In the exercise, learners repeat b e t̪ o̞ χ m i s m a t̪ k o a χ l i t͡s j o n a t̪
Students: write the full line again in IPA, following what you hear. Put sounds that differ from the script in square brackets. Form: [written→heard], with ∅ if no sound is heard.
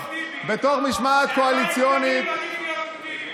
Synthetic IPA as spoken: b e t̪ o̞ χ m i [s→ʃ] m a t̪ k o a [χ→∅] l i t͡s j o n [a→i] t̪